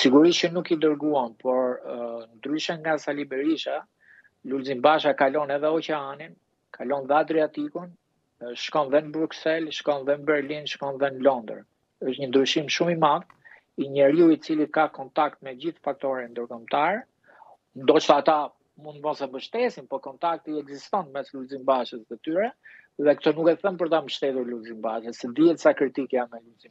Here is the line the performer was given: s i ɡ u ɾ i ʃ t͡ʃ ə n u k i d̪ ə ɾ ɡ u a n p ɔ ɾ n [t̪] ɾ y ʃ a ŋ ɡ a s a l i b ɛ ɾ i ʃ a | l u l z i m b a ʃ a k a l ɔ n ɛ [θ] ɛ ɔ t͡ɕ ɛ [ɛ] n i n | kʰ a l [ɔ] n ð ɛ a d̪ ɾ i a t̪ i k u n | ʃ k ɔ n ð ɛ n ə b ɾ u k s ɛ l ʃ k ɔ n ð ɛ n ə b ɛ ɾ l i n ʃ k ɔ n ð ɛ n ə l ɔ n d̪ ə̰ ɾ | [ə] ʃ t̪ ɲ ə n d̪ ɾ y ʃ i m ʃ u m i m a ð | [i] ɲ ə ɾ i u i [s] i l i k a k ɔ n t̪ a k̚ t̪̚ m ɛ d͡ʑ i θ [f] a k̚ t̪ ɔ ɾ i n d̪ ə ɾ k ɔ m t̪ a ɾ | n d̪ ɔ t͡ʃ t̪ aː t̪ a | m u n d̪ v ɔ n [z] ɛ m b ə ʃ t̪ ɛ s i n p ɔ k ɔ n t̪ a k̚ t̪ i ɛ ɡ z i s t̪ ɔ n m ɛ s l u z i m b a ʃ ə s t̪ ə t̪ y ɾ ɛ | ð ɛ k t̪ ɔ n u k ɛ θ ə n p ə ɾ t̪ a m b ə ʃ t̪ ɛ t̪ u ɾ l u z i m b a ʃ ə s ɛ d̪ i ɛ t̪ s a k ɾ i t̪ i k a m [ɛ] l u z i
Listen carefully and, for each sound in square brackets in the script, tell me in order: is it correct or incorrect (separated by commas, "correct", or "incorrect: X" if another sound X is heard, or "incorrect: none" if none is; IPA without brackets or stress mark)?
incorrect: d̪, incorrect: ð, incorrect: a, correct, correct, correct, incorrect: t͡s, correct, incorrect: s, correct